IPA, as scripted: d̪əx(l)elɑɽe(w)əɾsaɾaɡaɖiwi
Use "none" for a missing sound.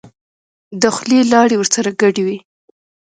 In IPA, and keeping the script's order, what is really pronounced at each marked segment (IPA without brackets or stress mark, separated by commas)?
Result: l, w